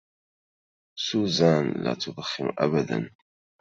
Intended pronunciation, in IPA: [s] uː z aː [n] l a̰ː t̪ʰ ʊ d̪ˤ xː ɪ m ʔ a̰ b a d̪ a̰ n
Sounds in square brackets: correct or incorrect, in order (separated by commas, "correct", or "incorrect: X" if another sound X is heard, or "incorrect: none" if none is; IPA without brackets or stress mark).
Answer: correct, correct